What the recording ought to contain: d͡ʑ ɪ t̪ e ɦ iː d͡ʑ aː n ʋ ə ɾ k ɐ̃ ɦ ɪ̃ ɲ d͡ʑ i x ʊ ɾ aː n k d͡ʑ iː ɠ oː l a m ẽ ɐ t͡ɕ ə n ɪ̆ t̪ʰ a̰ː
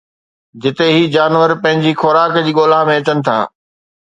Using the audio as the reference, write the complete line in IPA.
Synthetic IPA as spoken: d͡ʑ ɪ t̪ e ɦ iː d͡ʑ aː n ʋ ə ɾ p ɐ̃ ɦ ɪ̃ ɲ d͡ʑ i x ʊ ɾ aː k d͡ʑ iː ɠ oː l a m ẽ ɐ t͡ɕ ə n ɪ̆ t̪ʰ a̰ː